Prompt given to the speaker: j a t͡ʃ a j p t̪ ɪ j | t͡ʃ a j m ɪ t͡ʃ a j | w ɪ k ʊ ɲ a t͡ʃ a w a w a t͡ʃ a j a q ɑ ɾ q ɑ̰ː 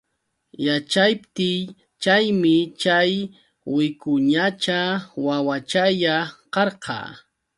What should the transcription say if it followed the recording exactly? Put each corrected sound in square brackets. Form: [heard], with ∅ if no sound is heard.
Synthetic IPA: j a t͡ʃ a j p t̪ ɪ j | t͡ʃ a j m ɪ t͡ʃ a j | w ɪ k ʊ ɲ a t͡ʃ a w a w a t͡ʃ a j a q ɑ ɾ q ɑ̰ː